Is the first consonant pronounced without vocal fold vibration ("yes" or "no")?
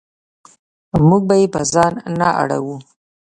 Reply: no